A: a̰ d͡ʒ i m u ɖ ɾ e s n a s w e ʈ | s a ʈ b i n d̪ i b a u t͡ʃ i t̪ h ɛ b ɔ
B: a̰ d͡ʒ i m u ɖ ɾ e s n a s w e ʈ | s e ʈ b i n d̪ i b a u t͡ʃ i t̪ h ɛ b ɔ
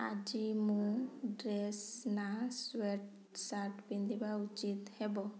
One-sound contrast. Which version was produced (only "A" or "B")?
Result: A